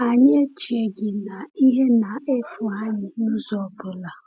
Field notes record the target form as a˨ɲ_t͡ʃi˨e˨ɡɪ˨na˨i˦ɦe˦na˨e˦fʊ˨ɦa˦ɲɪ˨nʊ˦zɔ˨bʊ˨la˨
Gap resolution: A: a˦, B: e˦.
B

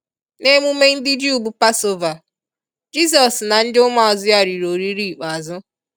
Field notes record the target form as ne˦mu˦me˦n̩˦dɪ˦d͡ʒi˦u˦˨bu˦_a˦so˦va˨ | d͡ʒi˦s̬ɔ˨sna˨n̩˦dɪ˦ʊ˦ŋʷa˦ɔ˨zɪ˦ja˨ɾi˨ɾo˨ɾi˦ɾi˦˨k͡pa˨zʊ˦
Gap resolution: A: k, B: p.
B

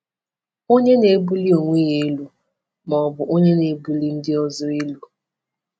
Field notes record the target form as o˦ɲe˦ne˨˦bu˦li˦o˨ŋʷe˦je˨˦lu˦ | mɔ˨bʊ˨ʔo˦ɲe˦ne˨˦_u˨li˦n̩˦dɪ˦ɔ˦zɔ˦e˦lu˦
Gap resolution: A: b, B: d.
A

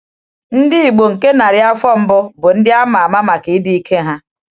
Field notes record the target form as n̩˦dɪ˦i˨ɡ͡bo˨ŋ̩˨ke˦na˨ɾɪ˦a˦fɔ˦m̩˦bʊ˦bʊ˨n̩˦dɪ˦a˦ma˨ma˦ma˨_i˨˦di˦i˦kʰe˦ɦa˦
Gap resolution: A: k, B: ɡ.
A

